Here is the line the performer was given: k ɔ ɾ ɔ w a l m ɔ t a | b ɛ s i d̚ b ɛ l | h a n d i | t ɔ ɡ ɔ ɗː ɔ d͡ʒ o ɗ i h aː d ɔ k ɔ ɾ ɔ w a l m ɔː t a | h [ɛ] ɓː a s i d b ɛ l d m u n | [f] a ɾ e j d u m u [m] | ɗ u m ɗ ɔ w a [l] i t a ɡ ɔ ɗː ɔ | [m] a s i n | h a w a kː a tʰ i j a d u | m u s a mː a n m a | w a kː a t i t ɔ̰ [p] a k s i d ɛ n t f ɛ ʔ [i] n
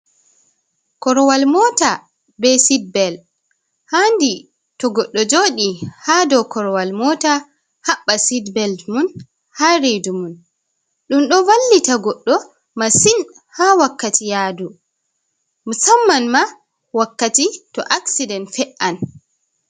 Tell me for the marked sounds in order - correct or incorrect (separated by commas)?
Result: incorrect, incorrect, incorrect, incorrect, correct, incorrect, incorrect